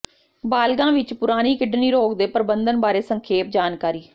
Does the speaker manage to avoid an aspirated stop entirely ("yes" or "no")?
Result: no